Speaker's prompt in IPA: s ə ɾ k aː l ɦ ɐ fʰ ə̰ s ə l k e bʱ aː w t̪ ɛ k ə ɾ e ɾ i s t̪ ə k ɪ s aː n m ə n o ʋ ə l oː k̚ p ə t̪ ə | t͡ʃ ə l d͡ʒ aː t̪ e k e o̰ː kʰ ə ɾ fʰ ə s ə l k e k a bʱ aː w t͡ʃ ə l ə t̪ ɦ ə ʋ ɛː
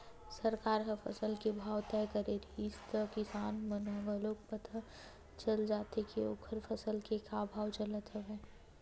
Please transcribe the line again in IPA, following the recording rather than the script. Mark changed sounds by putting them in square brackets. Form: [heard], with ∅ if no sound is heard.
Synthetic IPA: s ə ɾ k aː [ɾ] ɦ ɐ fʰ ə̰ s ə l k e bʱ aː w t̪ ɛ k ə ɾ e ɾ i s t̪ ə k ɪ s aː n m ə n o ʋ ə l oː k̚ p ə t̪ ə | t͡ʃ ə l d͡ʒ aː t̪ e k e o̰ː kʰ ə ɾ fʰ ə s ə l k e k a bʱ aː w t͡ʃ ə l ə t̪ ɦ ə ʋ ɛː